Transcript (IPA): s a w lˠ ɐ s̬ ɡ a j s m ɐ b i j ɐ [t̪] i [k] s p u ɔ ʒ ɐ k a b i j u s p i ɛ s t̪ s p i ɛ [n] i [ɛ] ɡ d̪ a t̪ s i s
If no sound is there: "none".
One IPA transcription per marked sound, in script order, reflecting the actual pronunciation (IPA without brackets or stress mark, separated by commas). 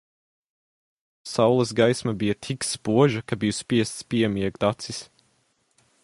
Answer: t̪ʰ, k, m, ɛ